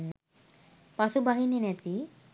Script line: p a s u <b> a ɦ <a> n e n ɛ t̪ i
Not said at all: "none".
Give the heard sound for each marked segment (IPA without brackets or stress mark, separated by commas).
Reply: b, i